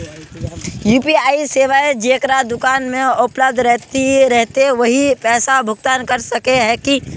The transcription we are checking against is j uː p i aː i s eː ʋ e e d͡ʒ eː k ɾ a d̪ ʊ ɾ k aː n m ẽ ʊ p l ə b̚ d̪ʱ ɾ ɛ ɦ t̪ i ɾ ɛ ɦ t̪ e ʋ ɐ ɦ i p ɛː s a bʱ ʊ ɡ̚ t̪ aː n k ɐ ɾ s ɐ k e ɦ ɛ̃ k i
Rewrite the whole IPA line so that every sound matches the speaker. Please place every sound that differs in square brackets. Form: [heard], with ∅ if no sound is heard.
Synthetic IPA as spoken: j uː p i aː i s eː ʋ [a] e d͡ʒ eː k ɾ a d̪ ʊ [∅] k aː n m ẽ ʊ p l ə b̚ d̪ʱ ɾ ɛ ɦ t̪ i ɾ ɛ ɦ t̪ e ʋ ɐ ɦ i p ɛː s a bʱ ʊ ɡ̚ t̪ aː n k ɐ ɾ s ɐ k e ɦ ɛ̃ k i

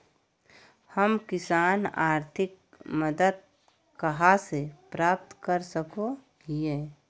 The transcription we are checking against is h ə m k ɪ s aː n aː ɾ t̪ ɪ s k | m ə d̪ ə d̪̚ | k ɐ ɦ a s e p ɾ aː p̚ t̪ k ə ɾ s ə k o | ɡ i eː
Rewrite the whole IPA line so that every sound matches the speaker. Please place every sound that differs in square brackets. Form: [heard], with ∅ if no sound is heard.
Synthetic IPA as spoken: h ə m k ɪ s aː n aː ɾ [t̪ʰ] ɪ [∅] k | m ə d̪ ə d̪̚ | k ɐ ɦ a s e p ɾ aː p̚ t̪ k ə ɾ s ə k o | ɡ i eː

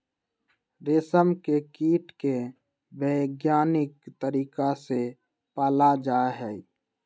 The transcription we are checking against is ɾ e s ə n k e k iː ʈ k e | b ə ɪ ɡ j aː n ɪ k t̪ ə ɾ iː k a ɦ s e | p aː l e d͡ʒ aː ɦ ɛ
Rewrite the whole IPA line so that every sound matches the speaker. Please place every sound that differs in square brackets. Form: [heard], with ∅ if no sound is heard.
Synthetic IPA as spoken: ɾ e s ə [m] k e k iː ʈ k e | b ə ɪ ɡ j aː n ɪ k t̪ ə ɾ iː k a [∅] s e | p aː l [a] d͡ʒ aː ɦ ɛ

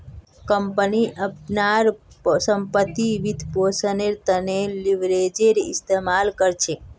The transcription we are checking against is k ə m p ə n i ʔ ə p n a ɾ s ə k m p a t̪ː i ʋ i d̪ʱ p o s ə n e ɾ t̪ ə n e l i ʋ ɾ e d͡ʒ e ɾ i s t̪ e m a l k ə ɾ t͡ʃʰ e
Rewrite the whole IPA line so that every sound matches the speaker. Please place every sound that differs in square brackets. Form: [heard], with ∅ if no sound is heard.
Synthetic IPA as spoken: k ə m p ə n i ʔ ə p n a ɾ s ə [∅] m p [ə] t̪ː i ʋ i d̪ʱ p o s ə n e ɾ t̪ ə n e l i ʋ ɾ e d͡ʒ e ɾ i s t̪ e m a l k ə ɾ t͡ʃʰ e

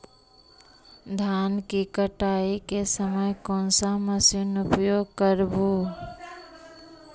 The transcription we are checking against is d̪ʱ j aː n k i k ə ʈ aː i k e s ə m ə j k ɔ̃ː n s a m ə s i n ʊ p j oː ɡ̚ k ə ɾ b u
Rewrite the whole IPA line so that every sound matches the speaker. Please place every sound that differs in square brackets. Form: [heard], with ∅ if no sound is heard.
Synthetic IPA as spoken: d̪ʱ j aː n k i k ə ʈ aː i k e s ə m ə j k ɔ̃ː n s a m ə s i n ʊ p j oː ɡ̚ k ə ɾ b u

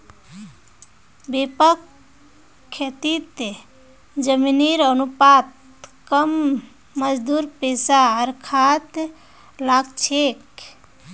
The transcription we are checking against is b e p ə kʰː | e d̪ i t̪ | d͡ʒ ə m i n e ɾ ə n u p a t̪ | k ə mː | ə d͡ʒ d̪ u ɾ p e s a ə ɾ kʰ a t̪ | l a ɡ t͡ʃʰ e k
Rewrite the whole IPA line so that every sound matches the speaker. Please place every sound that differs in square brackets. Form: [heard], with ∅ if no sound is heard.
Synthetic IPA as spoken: b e p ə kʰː | e [t̪] i t̪ | d͡ʒ ə m i n [i] ɾ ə n u p a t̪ | k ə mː | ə d͡ʒ d̪ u ɾ p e s a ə ɾ kʰ a t̪ | l a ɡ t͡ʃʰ e k

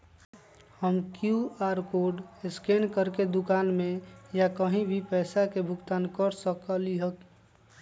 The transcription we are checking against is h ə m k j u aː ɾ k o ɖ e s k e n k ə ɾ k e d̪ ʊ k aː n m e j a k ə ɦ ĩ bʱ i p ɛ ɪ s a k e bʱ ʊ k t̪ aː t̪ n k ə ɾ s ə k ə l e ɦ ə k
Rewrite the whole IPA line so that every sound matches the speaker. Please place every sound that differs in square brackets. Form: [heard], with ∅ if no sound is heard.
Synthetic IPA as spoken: h ə m k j u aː ɾ k o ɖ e s k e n k ə ɾ k e d̪ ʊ k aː n m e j a k ə ɦ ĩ bʱ i p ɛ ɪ s a k e bʱ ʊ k t̪ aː [∅] n k ə ɾ s ə k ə l [i] ɦ ə k

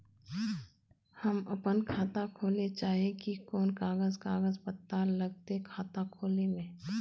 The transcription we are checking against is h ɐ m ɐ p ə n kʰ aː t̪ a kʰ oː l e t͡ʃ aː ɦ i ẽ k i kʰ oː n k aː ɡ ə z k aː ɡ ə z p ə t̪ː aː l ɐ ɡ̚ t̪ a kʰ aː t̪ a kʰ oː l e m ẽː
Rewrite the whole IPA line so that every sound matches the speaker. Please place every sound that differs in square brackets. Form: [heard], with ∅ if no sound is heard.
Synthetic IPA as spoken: h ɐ m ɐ p ə n kʰ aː t̪ a kʰ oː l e t͡ʃ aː ɦ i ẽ k i [k] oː n k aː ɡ ə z k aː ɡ ə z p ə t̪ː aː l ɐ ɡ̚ t̪ [e] kʰ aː t̪ a kʰ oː l e m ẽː

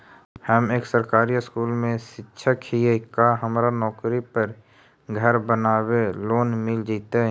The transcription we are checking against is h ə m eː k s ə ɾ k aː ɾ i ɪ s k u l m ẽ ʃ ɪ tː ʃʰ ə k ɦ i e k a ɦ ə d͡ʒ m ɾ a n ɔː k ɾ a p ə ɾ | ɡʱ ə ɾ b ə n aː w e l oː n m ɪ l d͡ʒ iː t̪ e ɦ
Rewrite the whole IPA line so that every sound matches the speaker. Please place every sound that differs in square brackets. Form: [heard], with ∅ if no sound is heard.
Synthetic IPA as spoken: h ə m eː k s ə ɾ k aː ɾ i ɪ s k [uː] l m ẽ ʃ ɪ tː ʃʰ ə k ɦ i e k a ɦ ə [∅] m ɾ a n ɔː k ɾ [i] p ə ɾ | ɡʱ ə ɾ b ə n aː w e l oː n m ɪ l d͡ʒ iː t̪ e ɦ

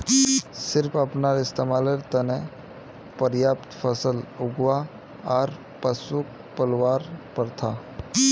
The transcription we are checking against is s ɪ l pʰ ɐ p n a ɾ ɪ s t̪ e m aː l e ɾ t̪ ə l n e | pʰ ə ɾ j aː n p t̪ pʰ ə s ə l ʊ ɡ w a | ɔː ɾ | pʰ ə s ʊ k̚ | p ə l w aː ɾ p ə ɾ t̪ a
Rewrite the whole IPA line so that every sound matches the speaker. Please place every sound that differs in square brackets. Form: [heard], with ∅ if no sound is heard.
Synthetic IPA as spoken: s ɪ [ɾ] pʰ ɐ p n a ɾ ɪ s t̪ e m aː l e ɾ t̪ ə [∅] n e | [p] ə ɾ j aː [∅] p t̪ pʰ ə s ə l ʊ ɡ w a | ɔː ɾ | [p] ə s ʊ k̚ | p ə l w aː ɾ p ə ɾ [t̪ʰ] a

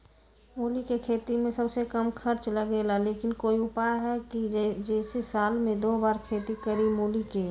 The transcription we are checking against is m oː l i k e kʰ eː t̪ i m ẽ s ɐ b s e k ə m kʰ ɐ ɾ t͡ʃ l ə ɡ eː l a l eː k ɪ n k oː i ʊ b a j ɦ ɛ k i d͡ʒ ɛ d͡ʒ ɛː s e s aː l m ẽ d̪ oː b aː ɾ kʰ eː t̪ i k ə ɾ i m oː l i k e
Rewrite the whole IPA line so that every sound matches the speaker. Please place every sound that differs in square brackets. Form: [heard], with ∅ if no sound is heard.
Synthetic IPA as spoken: m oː l i k e kʰ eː t̪ i m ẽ s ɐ b s e k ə m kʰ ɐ ɾ t͡ʃ l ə ɡ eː l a l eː k ɪ n k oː i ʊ [p] a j ɦ ɛ k i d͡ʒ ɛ d͡ʒ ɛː s e s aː l m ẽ d̪ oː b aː ɾ kʰ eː t̪ i k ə ɾ i m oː l i k e

